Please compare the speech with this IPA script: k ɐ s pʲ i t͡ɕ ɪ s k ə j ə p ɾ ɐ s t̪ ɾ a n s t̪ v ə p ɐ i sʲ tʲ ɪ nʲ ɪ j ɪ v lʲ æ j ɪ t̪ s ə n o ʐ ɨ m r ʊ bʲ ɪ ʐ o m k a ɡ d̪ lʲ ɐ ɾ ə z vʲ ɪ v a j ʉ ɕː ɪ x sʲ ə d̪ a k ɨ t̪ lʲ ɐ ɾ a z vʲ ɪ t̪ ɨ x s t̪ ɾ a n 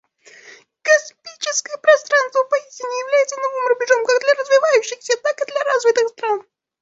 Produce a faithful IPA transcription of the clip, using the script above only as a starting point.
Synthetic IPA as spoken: k ɐ s pʲ i t͡ɕ ɪ s k ə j ə p ɾ ɐ s t̪ ɾ a n s t̪ v ə p ɐ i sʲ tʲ ɪ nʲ ɪ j ɪ v lʲ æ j ɪ t̪ s ə n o v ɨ m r ʊ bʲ ɪ ʐ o m k a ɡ d̪ lʲ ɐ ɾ ə z vʲ ɪ v a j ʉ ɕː ɪ x sʲ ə t̪ a k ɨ d̪ lʲ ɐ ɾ a z vʲ ɪ t̪ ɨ x s t̪ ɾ a n